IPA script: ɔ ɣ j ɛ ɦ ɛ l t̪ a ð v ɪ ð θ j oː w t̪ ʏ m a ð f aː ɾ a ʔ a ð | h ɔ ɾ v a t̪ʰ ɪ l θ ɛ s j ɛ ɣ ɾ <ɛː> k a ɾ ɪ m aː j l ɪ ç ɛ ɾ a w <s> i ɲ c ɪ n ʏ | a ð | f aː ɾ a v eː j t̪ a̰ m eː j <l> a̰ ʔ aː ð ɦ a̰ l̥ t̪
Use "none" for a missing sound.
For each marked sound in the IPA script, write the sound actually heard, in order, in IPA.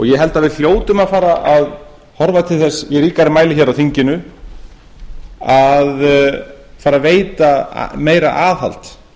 iː, θ, ɾ

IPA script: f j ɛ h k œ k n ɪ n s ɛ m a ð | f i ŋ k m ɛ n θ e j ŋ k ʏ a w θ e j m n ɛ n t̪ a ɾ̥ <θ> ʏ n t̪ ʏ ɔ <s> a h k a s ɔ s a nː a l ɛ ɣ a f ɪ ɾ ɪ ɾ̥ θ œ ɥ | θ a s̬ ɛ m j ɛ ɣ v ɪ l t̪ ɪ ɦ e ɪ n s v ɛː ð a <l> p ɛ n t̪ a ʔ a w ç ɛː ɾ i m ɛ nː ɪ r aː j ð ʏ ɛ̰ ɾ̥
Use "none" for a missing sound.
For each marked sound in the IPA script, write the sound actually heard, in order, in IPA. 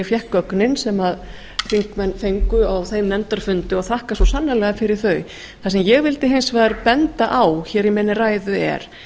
f, θ, ɾ

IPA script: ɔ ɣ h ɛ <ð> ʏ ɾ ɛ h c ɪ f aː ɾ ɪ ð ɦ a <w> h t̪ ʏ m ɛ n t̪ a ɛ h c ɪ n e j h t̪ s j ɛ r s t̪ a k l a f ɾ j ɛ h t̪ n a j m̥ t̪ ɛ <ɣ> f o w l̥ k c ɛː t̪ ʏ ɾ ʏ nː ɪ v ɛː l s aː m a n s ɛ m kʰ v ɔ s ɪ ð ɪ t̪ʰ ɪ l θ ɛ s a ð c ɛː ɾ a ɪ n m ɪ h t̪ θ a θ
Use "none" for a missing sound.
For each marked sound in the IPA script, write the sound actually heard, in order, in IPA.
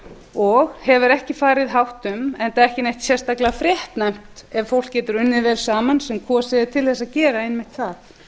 v, w, v

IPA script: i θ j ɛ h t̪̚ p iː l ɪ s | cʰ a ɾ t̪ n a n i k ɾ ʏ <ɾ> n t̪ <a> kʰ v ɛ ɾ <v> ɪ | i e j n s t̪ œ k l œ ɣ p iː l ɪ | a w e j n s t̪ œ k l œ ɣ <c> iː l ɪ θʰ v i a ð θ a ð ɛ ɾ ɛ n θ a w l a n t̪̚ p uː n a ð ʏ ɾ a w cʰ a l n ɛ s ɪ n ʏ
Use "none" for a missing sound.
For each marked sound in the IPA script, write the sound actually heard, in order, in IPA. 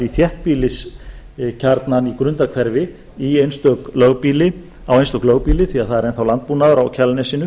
none, a, v, p

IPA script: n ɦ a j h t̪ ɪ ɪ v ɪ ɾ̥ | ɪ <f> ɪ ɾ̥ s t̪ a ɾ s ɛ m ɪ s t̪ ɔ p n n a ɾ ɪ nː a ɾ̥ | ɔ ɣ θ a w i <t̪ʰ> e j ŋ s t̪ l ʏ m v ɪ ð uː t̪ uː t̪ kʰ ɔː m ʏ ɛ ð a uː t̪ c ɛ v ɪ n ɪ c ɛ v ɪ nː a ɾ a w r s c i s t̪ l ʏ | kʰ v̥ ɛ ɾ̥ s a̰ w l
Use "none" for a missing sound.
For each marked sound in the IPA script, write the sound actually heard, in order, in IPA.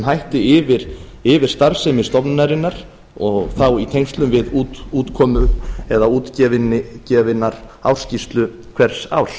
v, t̪ʰ

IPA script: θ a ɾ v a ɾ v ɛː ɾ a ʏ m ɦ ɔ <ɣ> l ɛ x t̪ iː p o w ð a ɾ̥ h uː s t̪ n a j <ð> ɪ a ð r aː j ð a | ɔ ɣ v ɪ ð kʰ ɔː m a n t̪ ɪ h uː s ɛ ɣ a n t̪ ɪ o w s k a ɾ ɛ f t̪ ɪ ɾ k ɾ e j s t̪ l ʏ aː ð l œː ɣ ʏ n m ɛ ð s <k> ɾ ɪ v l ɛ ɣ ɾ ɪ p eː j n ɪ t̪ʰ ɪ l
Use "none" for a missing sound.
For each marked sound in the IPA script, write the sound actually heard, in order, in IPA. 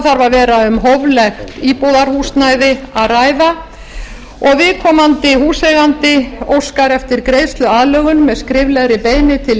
v, ð, k

